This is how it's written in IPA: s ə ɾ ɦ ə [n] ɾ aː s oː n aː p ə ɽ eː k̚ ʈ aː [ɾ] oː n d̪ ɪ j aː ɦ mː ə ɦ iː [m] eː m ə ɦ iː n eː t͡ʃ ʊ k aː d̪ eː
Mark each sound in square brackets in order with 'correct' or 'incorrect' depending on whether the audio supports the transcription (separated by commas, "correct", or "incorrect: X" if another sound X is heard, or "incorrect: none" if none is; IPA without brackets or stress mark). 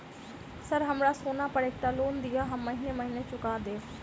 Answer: incorrect: m, incorrect: l, incorrect: n